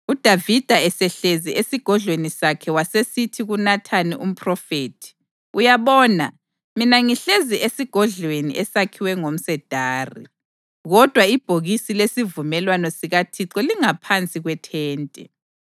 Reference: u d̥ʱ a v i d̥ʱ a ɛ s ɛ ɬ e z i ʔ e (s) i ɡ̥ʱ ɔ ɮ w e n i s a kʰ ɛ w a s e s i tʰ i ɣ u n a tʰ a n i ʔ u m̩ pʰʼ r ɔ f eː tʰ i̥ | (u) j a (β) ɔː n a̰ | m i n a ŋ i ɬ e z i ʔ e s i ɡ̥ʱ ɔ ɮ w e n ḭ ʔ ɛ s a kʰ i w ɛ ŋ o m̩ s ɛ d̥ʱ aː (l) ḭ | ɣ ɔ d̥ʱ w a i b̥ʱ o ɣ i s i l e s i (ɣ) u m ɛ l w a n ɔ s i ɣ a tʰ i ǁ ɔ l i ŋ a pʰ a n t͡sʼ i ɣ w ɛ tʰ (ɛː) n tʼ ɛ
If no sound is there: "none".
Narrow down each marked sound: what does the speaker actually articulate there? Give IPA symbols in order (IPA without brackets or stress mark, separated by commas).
s, u, β, r, v, ɛː